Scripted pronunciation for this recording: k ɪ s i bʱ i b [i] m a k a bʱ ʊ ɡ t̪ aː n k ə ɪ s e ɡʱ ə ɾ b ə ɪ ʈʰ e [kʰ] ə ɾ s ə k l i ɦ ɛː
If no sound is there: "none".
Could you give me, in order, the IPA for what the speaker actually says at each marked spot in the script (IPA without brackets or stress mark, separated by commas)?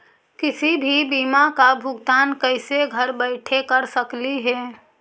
iː, k